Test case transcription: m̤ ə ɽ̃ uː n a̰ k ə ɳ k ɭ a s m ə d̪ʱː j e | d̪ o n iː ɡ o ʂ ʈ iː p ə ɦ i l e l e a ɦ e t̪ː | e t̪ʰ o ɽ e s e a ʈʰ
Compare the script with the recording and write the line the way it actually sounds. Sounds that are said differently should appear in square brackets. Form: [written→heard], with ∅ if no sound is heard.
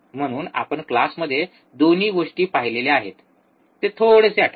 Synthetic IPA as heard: m̤ ə ɽ̃ uː n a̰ [k→p] ə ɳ k [ɭ→l] a s m ə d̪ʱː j e | d̪ o n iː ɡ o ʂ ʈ iː p [ə→a] ɦ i l e l e a ɦ e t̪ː | e t̪ʰ o ɽ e s e a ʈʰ